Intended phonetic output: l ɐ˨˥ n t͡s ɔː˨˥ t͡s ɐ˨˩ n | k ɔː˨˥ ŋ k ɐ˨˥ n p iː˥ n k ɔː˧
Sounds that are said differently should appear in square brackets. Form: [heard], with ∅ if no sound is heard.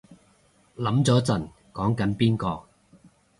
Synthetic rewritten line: l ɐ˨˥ [m] t͡s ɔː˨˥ t͡s ɐ˨˩ n | k ɔː˨˥ ŋ k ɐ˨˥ n p iː˥ n k ɔː˧